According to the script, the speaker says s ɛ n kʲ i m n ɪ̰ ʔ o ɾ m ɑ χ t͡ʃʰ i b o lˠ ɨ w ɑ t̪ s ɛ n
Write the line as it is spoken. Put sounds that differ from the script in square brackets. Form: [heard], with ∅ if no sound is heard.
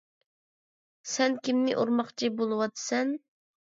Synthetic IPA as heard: s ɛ n kʲ i m n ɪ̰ ʔ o ɾ m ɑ χ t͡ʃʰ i b o lˠ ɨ w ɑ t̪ s ɛ n

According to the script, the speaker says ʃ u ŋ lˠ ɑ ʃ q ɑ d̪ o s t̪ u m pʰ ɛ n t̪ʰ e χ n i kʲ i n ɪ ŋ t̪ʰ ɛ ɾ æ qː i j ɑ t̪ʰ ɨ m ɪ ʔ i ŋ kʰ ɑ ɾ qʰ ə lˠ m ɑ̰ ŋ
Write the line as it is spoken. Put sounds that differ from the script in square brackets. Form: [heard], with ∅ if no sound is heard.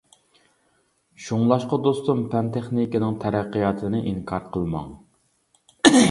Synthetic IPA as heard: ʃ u ŋ lˠ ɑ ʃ q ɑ d̪ o s t̪ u m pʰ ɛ n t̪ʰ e χ n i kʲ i n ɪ ŋ t̪ʰ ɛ ɾ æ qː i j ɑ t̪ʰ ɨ [n] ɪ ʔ i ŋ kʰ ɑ ɾ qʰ ə lˠ m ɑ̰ ŋ

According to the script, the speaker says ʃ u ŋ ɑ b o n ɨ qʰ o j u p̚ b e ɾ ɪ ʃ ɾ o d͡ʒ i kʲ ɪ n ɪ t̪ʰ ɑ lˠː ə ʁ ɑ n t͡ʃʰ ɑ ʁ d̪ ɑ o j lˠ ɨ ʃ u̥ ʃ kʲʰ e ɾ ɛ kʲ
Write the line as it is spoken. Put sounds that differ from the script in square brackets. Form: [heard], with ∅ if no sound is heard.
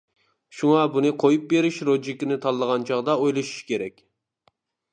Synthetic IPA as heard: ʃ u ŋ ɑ b [u] n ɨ qʰ o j u p̚ b e ɾ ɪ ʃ ɾ o d͡ʒ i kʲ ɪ n ɪ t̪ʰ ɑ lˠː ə ʁ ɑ n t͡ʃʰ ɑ ʁ d̪ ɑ o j lˠ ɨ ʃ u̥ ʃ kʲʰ e ɾ ɛ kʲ

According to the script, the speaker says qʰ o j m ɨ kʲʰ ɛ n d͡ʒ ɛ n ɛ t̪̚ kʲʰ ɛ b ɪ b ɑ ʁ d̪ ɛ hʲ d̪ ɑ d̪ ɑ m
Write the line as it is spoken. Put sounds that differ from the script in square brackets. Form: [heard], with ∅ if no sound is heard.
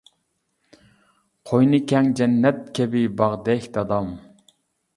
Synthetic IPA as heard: qʰ o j [n] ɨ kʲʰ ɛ [ŋ] d͡ʒ ɛ [nː] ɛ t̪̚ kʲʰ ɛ b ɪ b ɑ ʁ d̪ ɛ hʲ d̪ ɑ d̪ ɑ m

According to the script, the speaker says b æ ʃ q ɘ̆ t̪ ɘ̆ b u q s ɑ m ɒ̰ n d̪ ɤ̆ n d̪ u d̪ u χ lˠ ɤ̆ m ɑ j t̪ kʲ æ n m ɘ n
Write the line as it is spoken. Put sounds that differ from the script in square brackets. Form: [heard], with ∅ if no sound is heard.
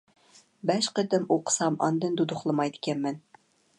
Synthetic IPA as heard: b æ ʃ q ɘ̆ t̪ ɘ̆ [m] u q s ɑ m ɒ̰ n d̪ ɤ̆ n d̪ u d̪ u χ lˠ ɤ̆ m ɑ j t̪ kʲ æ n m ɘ n

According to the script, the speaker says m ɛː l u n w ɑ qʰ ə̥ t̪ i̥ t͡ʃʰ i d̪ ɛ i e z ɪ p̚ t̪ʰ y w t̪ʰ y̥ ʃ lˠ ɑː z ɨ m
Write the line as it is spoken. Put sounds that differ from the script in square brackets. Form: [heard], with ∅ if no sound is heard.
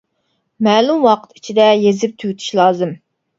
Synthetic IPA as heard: m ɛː l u [m] w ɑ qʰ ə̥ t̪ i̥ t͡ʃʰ i d̪ ɛ [j] e z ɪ p̚ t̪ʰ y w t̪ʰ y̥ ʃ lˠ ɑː z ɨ m

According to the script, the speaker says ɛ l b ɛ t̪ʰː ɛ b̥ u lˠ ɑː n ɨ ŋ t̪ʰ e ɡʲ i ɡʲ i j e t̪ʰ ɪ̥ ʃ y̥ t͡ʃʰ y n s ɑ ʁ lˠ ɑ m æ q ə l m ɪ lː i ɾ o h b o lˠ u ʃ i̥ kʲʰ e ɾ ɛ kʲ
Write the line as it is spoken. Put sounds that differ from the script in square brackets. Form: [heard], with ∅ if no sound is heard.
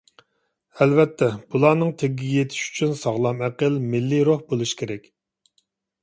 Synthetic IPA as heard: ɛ l [v] ɛ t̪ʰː ɛ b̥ u lˠ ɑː n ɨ ŋ t̪ʰ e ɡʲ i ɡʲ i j e t̪ʰ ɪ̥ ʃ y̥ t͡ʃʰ y n s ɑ ʁ lˠ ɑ m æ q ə l m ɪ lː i ɾ o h b o lˠ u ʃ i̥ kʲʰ e ɾ ɛ kʲ

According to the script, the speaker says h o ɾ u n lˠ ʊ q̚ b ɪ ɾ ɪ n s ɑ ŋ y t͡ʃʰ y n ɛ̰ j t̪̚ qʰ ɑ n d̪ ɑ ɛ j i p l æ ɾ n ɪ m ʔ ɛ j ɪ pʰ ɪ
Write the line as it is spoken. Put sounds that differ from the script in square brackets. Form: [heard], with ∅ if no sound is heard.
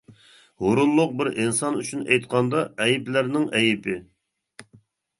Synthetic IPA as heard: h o ɾ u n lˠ ʊ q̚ b ɪ ɾ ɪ n s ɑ [n] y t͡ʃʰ y n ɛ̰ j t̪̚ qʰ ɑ n d̪ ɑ ɛ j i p l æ ɾ n ɪ [ŋ] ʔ ɛ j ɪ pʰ ɪ

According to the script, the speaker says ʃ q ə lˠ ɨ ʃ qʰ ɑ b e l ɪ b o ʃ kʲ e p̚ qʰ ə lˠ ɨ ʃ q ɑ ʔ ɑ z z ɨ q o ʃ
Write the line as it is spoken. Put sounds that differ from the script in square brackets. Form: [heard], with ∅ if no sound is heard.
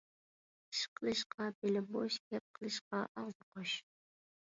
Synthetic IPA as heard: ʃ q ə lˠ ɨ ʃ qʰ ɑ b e l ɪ b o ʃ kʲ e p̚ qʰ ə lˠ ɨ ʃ q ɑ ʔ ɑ [ʁ] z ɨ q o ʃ

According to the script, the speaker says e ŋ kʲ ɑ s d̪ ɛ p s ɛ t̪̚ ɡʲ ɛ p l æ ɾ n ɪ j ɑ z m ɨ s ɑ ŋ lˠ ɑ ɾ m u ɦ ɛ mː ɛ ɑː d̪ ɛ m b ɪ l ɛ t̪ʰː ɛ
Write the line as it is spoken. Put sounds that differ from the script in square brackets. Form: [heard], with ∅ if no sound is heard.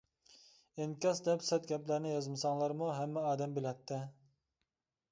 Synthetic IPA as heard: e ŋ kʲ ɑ s d̪ ɛ p s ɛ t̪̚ ɡʲ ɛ p l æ ɾ n ɪ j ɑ z m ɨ s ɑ ŋ lˠ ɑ ɾ m u ɦ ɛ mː ɛ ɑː d̪ ɛ m b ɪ l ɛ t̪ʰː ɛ

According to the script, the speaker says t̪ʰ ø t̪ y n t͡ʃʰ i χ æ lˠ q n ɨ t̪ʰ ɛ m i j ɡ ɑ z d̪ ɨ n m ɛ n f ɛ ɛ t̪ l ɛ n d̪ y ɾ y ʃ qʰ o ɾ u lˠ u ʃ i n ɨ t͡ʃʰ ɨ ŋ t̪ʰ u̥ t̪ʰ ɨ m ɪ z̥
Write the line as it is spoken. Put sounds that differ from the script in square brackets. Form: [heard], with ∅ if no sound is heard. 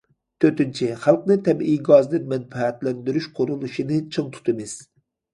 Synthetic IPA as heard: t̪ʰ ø t̪ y n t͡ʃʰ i χ æ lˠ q n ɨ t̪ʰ ɛ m i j ɡ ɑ z d̪ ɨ n m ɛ n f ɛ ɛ t̪ l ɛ n d̪ y ɾ y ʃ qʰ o ɾ u lˠ u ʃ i n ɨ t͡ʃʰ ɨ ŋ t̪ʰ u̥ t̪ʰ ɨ m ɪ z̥

